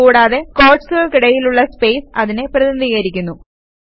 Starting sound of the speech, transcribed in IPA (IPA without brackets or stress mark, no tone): uː